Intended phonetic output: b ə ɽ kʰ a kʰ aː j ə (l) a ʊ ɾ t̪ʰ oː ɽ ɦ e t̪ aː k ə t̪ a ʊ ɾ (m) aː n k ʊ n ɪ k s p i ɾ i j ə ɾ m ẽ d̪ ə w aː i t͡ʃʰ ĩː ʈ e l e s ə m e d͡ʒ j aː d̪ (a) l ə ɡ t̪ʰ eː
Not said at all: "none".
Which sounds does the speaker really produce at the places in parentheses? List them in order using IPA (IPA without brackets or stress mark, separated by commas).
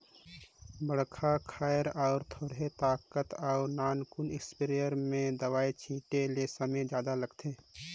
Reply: ɾ, n, a